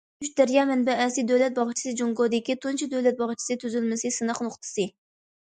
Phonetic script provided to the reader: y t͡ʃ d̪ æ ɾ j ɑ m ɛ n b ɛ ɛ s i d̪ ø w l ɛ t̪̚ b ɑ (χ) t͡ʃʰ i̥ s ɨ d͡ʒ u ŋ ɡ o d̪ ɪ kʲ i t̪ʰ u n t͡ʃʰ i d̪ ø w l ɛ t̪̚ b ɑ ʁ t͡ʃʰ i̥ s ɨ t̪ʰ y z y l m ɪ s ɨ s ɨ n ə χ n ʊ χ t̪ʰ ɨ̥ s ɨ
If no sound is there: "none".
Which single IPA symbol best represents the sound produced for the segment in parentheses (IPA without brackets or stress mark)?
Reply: ʁ